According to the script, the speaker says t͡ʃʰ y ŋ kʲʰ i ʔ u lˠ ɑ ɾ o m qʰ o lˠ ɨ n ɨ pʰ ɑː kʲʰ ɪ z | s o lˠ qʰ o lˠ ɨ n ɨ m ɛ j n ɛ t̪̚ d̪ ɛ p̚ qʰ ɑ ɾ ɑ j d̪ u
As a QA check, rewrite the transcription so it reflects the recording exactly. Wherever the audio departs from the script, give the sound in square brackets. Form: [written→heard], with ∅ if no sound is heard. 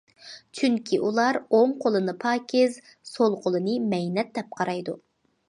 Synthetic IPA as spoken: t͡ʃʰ y ŋ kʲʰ i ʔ u lˠ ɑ ɾ o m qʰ o lˠ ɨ n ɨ pʰ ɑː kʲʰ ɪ z | s o lˠ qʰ o lˠ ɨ n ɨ m ɛ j n ɛ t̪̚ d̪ ɛ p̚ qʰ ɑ ɾ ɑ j d̪ u